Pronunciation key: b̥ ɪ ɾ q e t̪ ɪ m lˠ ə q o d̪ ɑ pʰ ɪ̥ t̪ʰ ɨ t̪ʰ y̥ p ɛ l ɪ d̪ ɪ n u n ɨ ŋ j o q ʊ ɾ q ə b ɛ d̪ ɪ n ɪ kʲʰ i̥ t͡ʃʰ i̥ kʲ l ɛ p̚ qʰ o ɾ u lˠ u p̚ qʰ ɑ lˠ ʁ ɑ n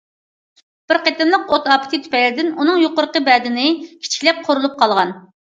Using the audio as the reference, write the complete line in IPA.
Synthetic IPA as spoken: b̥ ɪ ɾ q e t̪ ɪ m lˠ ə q o t̪ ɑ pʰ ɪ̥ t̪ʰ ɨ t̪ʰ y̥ p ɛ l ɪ d̪ ɪ n u n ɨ ŋ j o q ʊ ɾ q ə b ɛ d̪ ɪ n ɪ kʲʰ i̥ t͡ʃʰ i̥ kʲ l ɛ p̚ qʰ o ɾ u lˠ u p̚ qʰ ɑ lˠ ʁ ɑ n